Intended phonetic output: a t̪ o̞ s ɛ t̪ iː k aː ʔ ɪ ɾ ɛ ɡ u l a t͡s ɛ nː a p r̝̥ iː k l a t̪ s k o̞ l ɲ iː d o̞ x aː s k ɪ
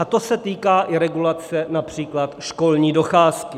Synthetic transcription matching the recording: a t̪ o̞ s ɛ t̪ iː k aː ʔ ɪ ɾ ɛ ɡ u l a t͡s ɛ n a p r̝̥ iː k l a t̪ ʃ k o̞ l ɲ iː d o̞ x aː s k ɪ